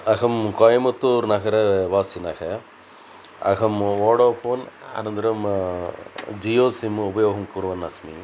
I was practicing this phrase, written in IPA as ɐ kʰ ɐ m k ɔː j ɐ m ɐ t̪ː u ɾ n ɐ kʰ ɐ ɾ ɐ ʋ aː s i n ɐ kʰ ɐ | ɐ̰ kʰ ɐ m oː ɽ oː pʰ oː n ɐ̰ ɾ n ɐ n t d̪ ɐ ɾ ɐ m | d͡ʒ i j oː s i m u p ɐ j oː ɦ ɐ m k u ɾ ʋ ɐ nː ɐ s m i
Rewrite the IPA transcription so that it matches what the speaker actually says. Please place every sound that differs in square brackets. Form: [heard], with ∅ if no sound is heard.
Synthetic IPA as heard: ɐ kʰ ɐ m k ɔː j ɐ m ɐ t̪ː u ɾ n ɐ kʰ ɐ ɾ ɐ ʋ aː s i n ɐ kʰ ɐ | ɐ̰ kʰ ɐ m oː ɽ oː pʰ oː n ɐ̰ [∅] n ɐ n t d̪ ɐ ɾ ɐ m | d͡ʒ i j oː s i m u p ɐ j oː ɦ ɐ m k u ɾ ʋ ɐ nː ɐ s m i